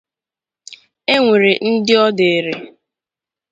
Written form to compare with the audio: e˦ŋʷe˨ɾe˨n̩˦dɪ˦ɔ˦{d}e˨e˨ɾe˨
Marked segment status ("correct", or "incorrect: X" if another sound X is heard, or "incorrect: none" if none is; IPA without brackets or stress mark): correct